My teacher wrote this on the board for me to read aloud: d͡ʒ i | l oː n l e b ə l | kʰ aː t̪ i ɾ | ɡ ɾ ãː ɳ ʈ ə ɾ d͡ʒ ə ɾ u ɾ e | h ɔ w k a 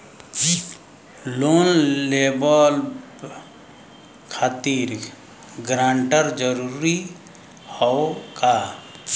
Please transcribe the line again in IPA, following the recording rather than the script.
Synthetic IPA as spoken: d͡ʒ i | l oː n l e b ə l | kʰ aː t̪ i ɾ | ɡ ɾ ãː ɳ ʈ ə ɾ d͡ʒ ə ɾ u ɾ i | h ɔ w k a